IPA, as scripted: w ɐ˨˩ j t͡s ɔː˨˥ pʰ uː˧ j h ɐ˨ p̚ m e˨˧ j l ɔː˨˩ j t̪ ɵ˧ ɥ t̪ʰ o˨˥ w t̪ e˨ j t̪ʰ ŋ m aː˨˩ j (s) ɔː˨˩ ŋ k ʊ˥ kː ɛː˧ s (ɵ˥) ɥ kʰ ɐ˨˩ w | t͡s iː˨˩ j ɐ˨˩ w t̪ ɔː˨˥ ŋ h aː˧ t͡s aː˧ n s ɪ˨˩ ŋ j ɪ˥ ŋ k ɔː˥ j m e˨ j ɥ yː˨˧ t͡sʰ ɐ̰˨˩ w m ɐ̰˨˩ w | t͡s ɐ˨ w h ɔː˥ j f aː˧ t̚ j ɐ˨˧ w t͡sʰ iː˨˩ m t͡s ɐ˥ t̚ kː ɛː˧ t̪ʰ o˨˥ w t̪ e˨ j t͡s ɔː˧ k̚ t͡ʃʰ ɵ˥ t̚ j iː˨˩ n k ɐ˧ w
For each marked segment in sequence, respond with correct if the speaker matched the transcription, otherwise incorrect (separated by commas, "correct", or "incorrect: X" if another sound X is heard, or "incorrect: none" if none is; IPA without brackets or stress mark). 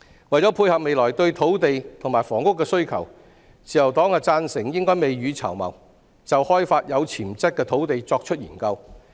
incorrect: f, correct